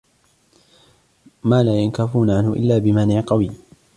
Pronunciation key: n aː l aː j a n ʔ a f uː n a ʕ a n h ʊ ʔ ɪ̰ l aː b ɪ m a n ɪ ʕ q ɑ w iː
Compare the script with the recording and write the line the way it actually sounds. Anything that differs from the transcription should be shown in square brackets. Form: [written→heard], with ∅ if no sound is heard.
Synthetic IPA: [n→m] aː l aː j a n [ʔ→k] a f uː n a ʕ a n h ʊ ʔ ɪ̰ [l→lː] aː b ɪ m a n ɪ ʕ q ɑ w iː